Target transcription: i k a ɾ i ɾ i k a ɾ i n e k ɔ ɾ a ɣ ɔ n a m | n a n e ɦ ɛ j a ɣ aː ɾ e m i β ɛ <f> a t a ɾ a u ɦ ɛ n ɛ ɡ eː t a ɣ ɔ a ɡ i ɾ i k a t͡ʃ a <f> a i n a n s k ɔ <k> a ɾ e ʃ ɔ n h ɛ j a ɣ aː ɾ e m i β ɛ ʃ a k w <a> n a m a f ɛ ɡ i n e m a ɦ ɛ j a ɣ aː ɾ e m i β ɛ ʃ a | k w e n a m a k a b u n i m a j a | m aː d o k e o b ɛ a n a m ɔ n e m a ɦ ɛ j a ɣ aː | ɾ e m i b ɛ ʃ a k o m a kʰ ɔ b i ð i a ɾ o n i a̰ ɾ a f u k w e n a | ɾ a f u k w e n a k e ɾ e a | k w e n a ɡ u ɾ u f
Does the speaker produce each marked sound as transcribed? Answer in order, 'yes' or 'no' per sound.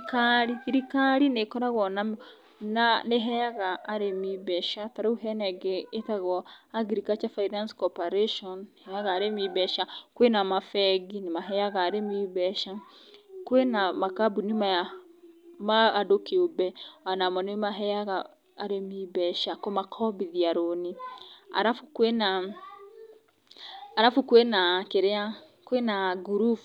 no, yes, no, no

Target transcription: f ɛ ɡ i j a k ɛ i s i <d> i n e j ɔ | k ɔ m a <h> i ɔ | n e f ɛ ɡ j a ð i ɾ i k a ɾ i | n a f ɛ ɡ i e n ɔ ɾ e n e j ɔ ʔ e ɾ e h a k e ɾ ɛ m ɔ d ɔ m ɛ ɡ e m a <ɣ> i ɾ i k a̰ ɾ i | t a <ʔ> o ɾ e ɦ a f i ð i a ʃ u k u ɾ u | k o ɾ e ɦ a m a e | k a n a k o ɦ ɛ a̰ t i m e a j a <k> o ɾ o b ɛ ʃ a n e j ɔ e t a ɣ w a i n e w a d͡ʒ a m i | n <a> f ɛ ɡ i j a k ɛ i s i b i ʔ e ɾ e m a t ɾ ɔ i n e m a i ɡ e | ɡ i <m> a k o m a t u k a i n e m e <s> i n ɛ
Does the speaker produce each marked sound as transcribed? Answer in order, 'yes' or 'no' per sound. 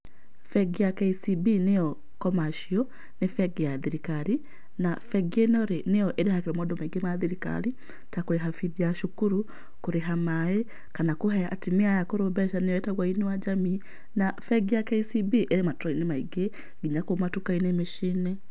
no, no, no, no, yes, yes, no, no

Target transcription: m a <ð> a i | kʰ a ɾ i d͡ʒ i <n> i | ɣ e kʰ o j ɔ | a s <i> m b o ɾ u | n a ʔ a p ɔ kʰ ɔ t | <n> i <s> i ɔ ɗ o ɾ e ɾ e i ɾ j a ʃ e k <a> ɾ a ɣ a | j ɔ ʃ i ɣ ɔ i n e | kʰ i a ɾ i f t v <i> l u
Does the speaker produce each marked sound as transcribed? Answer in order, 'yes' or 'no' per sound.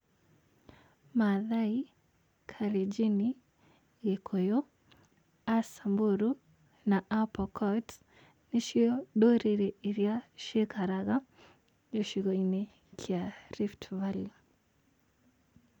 yes, yes, no, yes, no, yes, no

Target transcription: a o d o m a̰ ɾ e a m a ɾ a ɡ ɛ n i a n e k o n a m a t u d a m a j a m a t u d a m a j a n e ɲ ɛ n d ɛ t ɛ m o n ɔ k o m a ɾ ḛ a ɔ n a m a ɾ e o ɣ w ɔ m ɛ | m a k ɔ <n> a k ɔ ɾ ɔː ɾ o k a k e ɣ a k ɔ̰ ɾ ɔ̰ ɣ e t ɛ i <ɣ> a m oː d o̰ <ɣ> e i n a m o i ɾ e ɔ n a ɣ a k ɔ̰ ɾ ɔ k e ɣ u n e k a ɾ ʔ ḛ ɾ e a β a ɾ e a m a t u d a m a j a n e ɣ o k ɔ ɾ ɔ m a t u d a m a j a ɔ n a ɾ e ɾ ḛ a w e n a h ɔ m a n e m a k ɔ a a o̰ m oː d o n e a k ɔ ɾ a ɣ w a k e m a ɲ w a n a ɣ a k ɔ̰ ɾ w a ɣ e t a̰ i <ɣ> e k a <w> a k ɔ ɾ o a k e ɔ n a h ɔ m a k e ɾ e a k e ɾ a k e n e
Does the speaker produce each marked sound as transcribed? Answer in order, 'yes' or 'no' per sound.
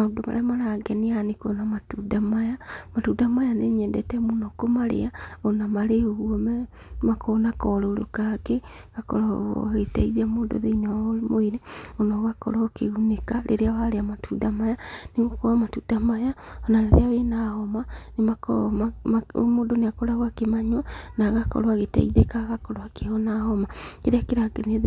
yes, no, no, no, no

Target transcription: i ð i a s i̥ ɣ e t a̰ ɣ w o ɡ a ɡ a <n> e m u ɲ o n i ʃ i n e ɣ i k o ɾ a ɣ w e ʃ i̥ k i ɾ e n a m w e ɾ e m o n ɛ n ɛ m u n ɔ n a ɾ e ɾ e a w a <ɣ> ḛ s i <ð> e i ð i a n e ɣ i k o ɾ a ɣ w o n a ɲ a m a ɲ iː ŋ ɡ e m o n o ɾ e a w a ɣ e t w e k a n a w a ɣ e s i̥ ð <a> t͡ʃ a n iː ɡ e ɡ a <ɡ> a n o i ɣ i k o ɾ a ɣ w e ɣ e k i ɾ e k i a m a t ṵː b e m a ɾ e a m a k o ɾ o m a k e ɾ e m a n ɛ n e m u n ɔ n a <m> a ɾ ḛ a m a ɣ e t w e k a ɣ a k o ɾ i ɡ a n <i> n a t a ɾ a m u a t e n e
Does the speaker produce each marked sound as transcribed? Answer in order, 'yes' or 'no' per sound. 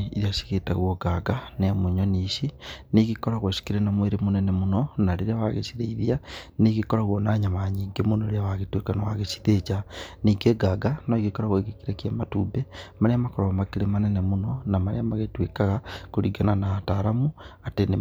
yes, yes, yes, no, yes, yes, no

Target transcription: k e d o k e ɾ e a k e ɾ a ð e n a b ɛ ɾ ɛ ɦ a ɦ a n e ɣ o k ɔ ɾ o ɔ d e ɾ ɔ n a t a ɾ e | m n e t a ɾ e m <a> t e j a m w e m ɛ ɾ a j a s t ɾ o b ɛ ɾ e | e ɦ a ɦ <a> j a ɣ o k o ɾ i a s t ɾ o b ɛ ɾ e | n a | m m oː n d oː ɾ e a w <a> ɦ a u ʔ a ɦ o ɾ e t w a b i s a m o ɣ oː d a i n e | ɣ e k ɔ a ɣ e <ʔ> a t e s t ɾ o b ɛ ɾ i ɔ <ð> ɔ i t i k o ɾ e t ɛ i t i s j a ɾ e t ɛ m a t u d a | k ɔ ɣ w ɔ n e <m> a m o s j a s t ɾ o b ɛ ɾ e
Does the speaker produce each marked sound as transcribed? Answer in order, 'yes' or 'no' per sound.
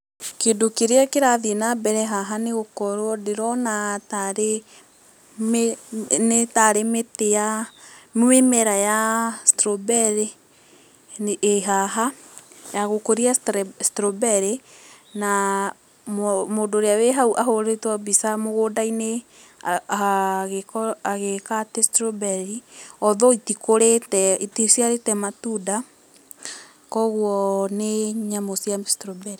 no, yes, no, no, yes, no

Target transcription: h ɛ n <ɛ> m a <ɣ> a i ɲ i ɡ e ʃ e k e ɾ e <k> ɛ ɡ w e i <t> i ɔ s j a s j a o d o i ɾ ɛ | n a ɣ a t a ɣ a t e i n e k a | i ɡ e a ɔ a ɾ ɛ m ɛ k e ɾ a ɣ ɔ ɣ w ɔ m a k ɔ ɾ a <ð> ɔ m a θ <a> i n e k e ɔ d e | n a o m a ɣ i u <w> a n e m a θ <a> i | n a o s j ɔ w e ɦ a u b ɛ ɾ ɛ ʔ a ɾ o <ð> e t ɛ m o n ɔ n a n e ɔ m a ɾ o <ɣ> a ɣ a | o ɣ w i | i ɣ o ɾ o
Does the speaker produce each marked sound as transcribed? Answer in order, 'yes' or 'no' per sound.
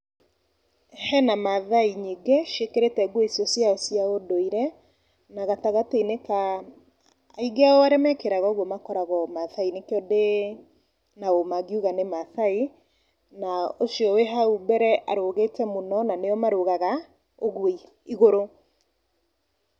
no, no, no, no, no, yes, no, yes, no, yes

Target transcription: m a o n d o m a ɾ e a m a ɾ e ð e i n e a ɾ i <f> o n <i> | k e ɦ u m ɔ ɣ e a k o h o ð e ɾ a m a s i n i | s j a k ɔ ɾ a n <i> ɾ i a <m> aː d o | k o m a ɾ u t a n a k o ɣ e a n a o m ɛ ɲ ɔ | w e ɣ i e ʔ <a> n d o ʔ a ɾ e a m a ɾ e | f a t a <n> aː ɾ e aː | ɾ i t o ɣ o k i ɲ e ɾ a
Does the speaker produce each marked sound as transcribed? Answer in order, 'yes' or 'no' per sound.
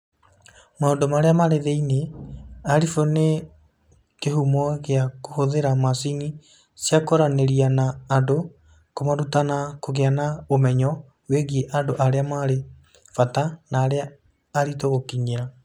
yes, no, no, no, yes, yes

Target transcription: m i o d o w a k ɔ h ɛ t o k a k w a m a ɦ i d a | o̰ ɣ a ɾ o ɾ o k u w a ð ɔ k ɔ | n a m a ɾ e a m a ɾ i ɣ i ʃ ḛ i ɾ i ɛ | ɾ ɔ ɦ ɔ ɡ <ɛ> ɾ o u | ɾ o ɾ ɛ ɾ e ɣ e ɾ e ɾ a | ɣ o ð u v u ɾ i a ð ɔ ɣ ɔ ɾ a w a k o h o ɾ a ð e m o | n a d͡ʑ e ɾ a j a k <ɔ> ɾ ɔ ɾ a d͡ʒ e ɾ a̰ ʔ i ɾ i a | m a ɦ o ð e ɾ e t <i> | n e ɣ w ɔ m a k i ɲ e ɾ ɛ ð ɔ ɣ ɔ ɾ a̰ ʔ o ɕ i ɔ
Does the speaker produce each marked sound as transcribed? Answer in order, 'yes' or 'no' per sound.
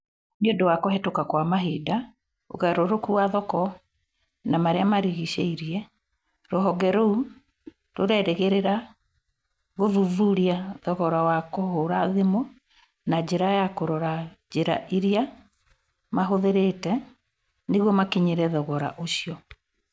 yes, no, no

